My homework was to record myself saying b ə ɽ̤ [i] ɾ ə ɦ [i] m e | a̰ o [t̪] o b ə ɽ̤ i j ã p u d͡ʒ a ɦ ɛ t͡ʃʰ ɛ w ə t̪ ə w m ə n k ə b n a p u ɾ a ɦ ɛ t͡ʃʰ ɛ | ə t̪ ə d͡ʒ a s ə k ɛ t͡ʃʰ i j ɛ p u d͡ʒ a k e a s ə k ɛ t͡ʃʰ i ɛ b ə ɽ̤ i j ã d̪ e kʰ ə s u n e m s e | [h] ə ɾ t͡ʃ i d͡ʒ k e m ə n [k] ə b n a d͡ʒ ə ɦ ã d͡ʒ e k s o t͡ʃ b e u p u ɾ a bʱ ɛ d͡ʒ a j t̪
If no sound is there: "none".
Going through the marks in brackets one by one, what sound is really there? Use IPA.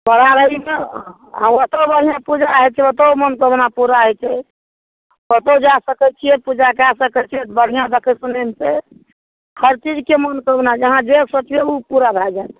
a, i, t̪, h, k

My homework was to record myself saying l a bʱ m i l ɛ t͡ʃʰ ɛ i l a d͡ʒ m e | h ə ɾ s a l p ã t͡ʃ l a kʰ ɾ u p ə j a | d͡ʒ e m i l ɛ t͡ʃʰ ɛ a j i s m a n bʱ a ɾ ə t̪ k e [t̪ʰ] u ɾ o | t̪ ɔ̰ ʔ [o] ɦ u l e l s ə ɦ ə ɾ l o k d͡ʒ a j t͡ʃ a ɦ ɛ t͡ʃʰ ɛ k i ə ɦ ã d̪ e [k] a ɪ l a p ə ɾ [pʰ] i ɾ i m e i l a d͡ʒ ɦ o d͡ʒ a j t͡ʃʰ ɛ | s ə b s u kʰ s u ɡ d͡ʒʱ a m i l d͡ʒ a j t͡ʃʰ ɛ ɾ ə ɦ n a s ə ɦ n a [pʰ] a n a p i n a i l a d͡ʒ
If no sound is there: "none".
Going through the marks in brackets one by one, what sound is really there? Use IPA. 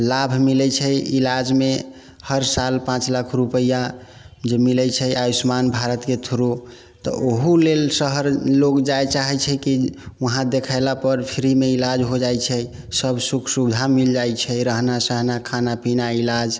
t̪ʰ, o, kʰ, pʰ, kʰ

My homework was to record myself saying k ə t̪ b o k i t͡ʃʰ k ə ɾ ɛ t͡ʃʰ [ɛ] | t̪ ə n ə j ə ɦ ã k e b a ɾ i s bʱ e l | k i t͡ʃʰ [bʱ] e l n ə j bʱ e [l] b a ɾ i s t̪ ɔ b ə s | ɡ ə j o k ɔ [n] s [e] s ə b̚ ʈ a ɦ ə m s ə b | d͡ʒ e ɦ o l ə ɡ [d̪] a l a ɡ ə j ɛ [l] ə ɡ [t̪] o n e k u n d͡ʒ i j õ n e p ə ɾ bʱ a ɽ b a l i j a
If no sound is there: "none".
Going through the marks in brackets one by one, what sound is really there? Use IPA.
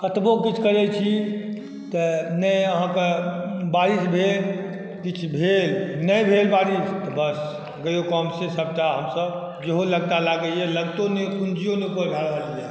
i, bʱ, l, m, e, t̪, l, t̪

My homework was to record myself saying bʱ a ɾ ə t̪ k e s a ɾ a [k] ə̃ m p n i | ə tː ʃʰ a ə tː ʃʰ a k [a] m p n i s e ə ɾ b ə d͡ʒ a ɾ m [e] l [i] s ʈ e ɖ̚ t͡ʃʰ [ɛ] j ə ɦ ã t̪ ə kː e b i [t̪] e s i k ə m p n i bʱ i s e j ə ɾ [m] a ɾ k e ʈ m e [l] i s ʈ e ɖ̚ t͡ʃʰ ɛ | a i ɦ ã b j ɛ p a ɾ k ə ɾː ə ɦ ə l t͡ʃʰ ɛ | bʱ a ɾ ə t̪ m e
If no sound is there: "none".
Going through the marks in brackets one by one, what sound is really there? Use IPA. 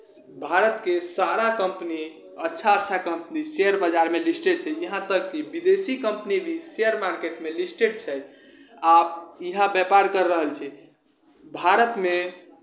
k, ə, e, i, ɛ, d̪, m, l

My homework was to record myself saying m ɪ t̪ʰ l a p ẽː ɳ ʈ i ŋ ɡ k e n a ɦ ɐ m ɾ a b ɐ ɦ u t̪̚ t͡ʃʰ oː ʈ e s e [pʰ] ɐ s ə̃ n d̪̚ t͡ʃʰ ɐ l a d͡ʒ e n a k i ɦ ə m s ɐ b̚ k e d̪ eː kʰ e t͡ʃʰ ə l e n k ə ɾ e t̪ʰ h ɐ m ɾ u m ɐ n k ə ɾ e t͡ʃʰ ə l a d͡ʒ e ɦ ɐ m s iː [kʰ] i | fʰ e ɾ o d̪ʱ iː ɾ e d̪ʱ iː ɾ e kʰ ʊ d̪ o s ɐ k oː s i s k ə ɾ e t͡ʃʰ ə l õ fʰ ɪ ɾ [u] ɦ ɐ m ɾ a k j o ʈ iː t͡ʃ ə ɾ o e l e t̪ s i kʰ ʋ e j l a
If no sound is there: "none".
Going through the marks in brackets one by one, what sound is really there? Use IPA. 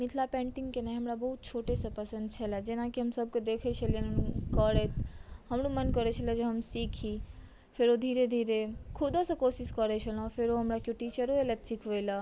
p, kʰ, o

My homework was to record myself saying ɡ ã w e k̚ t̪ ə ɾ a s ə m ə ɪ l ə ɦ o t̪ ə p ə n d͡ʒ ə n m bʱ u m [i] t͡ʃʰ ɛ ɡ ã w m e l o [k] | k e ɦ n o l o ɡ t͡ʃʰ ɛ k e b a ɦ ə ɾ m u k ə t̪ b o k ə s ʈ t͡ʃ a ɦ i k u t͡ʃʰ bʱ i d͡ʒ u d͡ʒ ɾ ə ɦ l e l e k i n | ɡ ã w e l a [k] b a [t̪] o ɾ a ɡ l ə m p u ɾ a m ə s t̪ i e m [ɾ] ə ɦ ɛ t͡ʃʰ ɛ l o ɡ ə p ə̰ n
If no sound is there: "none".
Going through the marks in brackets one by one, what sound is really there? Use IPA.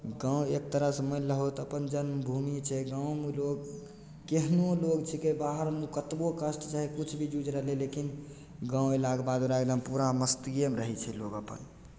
i, ɡ, ɡ, d̪, ɾ

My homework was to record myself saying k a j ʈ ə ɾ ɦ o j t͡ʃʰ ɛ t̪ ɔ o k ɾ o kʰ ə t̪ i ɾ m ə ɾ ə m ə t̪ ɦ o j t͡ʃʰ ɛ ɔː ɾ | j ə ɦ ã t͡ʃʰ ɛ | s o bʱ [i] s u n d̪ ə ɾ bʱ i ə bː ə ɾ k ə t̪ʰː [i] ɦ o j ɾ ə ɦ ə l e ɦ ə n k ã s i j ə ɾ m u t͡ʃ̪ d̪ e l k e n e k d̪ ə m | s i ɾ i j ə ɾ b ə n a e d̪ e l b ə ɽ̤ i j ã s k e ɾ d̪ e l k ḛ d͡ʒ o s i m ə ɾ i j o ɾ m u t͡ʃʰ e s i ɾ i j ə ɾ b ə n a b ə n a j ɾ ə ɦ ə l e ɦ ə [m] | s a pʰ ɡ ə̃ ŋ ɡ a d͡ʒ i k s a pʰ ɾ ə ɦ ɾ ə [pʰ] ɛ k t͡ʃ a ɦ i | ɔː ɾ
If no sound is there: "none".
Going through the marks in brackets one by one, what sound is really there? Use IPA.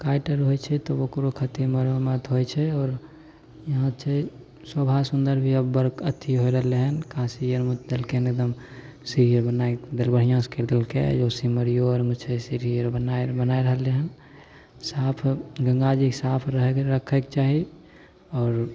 a, i, n, kʰ

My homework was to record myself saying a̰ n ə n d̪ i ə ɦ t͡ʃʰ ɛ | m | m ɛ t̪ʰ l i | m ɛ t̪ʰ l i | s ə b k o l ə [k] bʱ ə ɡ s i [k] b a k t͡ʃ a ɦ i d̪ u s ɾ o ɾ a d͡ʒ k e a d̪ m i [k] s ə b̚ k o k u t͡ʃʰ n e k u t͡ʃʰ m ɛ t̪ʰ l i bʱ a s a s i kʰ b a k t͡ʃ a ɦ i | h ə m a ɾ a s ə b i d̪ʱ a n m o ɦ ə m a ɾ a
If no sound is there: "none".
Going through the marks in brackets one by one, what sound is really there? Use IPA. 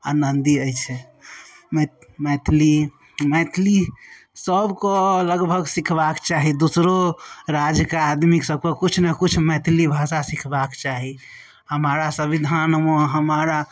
ɡ, kʰ, k

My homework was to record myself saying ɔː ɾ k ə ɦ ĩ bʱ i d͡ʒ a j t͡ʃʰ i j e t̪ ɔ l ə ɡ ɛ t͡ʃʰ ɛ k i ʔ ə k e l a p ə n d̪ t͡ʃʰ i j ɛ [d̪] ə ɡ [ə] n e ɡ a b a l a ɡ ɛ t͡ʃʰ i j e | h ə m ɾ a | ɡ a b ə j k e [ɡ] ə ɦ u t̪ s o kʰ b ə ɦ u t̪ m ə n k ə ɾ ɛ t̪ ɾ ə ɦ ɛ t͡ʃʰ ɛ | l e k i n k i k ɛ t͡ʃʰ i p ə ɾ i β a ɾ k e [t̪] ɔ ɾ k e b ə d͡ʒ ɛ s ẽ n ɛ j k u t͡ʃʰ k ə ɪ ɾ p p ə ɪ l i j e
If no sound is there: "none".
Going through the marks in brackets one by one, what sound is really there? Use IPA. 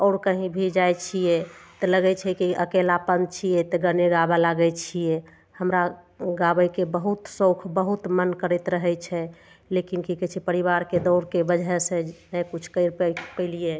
t̪, ə, b, d̪

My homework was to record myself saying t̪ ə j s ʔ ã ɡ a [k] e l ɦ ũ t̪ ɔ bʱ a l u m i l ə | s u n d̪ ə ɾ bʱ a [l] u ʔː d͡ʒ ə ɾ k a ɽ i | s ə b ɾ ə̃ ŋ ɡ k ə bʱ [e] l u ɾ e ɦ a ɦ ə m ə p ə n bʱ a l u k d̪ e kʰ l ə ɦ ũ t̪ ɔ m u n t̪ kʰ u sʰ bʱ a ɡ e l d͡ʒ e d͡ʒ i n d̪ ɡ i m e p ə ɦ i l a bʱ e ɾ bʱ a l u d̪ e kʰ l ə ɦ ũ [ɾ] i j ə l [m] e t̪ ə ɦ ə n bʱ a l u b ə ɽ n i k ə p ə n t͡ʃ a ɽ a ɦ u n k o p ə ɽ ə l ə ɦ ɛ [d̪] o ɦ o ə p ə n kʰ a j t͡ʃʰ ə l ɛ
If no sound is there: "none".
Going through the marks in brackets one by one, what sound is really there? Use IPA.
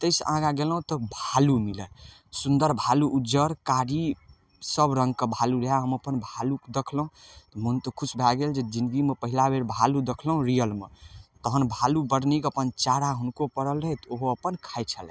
ɡ, l, a, ɾ, m, t̪

